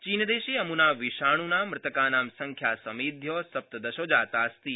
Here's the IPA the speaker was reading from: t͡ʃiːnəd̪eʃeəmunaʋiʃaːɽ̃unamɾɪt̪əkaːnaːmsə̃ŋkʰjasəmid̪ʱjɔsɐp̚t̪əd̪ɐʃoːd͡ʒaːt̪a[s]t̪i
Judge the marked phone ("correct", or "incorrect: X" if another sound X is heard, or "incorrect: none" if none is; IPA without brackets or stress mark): correct